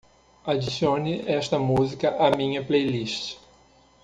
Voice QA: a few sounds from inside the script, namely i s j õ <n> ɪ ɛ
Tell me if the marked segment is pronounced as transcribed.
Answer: yes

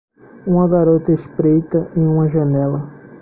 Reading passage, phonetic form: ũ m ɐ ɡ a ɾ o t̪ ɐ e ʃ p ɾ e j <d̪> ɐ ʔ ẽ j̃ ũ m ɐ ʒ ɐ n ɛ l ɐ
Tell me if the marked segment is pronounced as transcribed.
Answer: no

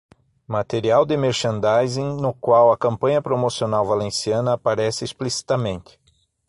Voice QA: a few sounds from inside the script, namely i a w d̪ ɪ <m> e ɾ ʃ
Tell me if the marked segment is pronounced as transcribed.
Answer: yes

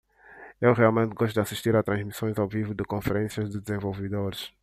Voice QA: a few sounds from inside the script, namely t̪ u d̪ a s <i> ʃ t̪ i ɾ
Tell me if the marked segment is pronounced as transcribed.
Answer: yes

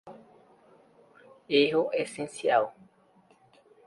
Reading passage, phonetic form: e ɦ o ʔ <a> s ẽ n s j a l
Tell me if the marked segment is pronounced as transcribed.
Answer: no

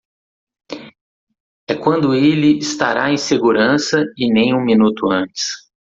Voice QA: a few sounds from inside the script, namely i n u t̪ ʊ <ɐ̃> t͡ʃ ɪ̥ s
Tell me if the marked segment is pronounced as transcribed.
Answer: yes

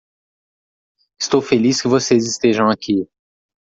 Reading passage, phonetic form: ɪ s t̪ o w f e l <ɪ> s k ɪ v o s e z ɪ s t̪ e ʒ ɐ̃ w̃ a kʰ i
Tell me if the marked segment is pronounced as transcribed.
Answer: no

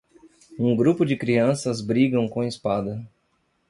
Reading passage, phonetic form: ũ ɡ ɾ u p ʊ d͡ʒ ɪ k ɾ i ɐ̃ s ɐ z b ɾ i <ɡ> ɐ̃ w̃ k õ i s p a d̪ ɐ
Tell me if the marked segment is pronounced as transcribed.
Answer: yes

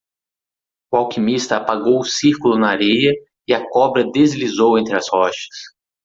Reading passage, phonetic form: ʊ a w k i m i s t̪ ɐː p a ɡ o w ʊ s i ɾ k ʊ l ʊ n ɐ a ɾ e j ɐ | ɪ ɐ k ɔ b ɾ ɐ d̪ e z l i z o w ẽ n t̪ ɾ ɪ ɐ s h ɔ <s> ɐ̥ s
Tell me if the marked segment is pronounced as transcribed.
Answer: no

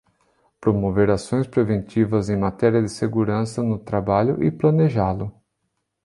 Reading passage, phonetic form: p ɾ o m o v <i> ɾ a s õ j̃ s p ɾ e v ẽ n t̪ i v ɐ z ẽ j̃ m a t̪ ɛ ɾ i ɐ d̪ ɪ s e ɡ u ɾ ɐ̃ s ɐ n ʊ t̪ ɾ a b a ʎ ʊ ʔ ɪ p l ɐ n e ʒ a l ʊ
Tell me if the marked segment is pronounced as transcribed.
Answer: no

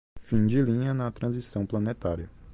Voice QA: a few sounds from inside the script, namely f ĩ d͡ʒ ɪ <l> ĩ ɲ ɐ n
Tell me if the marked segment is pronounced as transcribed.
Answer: yes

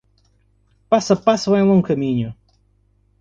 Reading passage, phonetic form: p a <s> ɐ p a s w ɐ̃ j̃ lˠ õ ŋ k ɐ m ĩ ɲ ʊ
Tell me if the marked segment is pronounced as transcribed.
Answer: yes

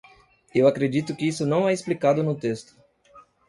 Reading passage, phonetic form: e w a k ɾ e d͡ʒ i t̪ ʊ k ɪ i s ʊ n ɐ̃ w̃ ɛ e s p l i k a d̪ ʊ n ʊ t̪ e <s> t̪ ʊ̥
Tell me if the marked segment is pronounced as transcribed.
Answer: yes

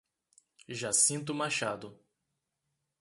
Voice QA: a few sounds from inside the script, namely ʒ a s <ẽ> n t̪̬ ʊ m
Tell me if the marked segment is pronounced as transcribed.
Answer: no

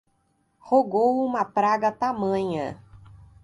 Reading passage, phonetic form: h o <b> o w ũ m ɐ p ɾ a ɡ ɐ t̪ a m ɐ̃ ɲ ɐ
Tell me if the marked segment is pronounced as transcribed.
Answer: no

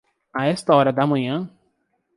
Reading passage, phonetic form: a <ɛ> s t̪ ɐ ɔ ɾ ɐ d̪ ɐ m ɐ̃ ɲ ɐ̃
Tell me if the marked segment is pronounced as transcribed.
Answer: yes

